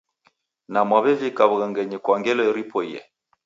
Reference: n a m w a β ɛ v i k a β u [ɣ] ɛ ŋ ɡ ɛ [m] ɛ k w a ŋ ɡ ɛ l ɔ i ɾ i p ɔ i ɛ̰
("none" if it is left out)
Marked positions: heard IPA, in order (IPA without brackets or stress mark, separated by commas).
ɣ, ɲ